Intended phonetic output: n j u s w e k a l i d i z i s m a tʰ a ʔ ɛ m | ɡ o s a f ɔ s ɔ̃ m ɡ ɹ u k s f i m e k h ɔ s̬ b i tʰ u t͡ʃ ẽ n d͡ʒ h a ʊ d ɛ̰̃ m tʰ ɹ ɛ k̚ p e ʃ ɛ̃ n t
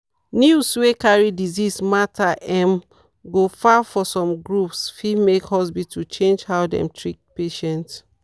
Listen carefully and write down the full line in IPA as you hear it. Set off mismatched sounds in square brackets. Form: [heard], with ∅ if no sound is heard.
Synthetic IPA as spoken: n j u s w e k a [ɹ] i d i z i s m a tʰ a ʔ ɛ m | ɡ o [f] a f ɔ s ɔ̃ m ɡ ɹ u [p] s f i m e k h ɔ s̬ b i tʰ u t͡ʃ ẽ n d͡ʒ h a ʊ d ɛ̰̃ m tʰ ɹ [i] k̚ p e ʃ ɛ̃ n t